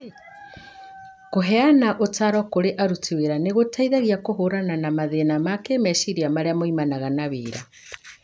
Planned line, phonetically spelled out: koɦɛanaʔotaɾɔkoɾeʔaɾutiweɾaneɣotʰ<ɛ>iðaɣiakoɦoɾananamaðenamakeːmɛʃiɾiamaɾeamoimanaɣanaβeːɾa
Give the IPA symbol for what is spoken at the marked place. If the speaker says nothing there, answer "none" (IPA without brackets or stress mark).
a